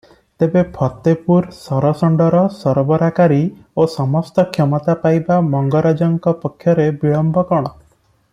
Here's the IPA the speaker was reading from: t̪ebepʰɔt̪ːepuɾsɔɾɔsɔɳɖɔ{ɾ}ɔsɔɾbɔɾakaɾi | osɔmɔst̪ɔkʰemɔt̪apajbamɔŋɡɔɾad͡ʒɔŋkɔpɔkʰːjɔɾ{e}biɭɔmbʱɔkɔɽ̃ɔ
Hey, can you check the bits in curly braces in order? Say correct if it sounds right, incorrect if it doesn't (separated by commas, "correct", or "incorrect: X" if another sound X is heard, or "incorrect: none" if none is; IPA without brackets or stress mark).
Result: correct, correct